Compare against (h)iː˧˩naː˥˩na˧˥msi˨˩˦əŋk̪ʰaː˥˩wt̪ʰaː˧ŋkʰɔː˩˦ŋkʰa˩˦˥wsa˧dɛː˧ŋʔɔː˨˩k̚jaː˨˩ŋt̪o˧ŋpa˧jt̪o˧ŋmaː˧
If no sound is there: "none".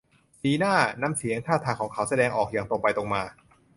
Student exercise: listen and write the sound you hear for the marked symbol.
s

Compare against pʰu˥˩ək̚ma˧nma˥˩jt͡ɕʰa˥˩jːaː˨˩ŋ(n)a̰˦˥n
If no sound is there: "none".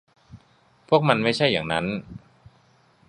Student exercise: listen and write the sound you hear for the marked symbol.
n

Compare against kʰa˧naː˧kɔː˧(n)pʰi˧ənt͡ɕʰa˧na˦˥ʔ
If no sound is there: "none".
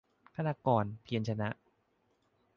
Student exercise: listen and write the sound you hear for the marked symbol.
n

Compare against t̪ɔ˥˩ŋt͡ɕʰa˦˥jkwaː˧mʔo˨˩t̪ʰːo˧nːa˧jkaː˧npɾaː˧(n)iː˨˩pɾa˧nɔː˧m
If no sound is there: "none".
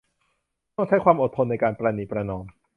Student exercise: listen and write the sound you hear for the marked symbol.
n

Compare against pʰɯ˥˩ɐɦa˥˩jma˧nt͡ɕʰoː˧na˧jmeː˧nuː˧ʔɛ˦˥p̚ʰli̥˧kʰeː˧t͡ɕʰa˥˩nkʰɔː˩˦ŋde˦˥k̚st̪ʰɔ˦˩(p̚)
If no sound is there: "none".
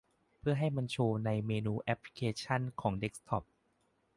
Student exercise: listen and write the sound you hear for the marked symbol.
p̚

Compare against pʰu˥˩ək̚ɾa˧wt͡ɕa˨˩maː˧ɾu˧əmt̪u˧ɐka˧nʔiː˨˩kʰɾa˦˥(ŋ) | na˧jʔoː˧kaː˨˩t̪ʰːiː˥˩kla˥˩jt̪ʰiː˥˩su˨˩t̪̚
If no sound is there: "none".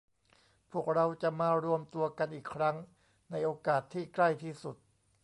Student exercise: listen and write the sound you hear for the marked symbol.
ŋ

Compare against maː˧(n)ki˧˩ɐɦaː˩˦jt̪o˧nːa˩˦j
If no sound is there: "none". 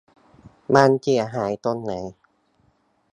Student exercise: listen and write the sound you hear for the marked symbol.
n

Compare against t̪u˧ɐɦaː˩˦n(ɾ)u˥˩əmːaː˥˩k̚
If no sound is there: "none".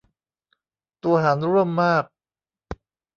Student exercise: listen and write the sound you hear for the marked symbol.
ɾ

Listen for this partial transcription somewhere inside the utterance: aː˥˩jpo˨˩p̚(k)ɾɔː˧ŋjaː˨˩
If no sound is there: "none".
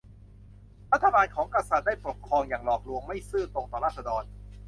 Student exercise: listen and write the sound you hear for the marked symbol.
kʰ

